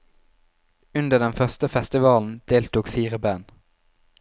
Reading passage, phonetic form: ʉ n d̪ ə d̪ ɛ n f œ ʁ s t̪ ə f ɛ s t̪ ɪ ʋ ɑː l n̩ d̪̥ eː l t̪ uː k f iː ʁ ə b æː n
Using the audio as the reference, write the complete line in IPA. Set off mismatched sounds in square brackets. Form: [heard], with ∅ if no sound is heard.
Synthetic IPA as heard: ʉ n d̪ ə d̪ ɛ n f œ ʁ s t̪ ə f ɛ s t̪ ɪ ʋ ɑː l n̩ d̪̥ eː l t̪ uː k f iː ʁ ə b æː n